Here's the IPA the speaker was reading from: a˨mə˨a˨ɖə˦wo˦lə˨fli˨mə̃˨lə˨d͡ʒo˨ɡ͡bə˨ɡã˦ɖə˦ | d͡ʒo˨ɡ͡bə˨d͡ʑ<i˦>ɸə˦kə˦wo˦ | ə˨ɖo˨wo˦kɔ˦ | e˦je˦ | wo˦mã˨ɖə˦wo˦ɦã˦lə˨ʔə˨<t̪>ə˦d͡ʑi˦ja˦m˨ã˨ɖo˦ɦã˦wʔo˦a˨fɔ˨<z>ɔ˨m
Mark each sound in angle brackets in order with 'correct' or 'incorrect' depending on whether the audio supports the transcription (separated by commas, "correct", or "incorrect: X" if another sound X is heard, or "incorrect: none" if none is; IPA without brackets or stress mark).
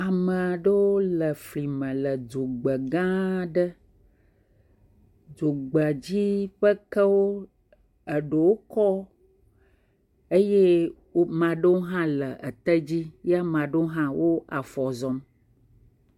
correct, correct, correct